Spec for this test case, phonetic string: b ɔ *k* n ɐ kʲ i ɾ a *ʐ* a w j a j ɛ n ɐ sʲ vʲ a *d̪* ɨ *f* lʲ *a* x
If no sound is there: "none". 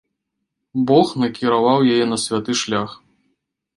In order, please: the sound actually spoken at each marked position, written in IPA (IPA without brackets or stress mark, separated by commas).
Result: x, v, t̪, ʂ, a